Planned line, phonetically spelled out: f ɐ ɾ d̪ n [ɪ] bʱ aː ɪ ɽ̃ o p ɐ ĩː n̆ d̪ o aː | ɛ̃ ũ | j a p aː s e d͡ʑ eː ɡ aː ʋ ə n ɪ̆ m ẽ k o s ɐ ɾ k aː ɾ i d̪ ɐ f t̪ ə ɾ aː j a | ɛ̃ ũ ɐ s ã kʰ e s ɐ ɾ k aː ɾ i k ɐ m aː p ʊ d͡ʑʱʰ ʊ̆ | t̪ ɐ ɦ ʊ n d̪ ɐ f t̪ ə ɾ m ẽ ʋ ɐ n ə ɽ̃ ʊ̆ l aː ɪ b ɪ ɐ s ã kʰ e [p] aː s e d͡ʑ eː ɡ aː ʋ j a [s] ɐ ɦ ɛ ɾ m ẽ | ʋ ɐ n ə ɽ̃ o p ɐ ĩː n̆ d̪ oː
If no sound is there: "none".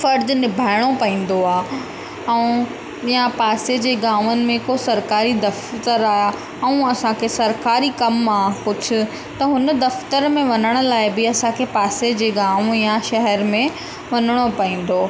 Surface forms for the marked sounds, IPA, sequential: ɪ, p, ʃ

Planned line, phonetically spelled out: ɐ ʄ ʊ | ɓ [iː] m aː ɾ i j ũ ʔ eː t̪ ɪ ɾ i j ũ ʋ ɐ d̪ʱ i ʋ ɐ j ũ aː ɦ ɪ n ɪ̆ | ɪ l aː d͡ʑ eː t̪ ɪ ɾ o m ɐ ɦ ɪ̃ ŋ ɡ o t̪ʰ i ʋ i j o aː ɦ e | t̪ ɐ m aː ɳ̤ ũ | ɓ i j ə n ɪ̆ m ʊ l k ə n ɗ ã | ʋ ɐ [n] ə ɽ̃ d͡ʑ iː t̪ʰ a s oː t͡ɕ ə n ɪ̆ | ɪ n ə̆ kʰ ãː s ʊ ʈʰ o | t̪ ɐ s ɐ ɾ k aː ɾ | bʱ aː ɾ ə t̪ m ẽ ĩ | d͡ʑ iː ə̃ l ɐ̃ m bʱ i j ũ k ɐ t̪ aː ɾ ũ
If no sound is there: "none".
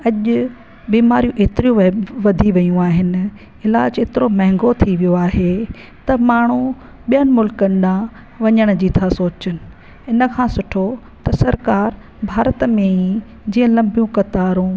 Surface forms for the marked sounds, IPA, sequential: iː, ɲ

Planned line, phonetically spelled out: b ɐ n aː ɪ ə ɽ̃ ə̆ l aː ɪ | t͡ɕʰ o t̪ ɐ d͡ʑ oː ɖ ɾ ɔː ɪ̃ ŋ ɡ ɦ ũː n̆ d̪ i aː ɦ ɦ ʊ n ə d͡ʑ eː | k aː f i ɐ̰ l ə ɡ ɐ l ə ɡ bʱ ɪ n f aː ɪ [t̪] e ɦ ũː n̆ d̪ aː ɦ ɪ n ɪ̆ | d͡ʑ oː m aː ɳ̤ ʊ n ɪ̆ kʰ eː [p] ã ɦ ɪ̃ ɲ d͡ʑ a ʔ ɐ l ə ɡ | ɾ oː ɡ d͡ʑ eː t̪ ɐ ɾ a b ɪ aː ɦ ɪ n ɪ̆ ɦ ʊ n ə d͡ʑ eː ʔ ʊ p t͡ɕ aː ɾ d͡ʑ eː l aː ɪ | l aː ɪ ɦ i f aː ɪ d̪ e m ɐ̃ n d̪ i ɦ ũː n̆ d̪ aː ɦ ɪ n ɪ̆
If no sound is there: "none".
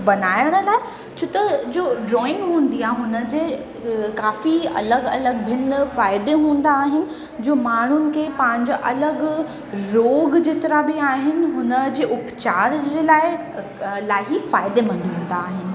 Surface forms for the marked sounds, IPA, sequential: d̪, p

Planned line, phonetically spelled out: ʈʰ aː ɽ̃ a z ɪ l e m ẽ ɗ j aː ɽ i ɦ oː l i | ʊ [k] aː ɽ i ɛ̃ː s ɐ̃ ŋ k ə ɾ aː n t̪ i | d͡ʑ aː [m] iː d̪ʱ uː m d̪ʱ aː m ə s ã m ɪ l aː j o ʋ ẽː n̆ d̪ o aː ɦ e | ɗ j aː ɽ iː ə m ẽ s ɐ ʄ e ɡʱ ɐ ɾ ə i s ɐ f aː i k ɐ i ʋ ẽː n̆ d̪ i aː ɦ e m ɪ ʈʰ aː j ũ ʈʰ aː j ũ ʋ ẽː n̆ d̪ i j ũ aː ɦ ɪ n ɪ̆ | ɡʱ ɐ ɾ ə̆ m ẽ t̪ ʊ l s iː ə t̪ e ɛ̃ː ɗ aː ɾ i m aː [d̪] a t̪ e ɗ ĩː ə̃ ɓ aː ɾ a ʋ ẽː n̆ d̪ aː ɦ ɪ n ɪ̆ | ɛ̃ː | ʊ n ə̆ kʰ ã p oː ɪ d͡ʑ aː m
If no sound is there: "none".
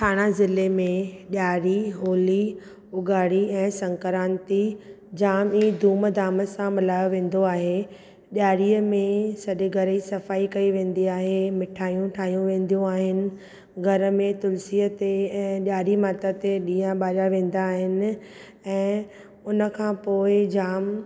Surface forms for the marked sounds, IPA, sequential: ɡ, m, t̪

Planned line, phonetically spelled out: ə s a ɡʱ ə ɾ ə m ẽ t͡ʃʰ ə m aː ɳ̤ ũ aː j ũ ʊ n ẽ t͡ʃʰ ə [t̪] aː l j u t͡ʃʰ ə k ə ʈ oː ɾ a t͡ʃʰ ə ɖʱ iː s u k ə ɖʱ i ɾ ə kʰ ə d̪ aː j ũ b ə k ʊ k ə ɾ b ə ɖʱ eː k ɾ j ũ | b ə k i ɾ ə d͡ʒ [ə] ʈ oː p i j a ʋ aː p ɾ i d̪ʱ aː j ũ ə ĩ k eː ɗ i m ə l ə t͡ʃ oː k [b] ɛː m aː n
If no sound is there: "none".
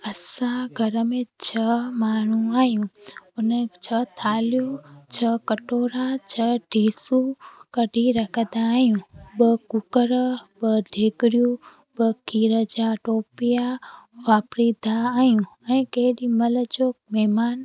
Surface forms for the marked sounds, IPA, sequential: t̪ʰ, a, m

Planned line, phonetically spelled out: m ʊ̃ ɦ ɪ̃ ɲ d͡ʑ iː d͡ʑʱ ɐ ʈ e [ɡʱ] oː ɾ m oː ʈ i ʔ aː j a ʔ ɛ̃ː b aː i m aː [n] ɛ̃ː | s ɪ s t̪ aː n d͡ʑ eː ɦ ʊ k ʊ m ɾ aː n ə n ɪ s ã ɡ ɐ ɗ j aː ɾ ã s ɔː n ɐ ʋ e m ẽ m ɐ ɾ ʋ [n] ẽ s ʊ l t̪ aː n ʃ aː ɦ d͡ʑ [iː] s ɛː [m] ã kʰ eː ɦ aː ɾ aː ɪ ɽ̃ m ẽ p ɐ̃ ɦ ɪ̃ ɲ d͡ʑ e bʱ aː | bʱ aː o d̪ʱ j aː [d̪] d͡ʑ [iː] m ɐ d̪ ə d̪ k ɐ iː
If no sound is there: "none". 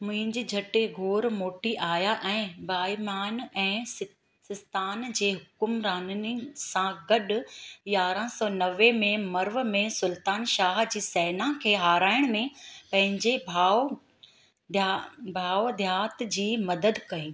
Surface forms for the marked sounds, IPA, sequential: ɡʱ, n, m, iː, n, t̪, iː

